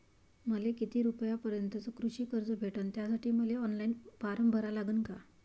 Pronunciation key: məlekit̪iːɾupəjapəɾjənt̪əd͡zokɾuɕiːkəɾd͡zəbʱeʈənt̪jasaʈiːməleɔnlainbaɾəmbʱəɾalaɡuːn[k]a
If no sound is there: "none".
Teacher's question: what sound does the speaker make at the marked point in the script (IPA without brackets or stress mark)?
k